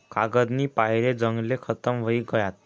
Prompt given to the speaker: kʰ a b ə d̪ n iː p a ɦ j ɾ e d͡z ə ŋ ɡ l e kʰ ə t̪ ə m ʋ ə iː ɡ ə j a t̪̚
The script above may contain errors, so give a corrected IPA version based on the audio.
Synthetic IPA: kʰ a ɡ ə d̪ n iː p a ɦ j ɾ e d͡z ə ŋ ɡ l e kʰ ə t̪ ə m ʋ ə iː ɡ ə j a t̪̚